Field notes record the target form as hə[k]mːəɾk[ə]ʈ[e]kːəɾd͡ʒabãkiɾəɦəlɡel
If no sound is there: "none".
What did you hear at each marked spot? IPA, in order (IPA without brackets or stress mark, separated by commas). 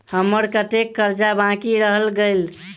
none, ə, e